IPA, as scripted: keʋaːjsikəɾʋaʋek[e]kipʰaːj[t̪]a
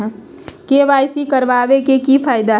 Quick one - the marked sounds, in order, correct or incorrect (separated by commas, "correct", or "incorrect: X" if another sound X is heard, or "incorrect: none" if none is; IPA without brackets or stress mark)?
correct, incorrect: d̪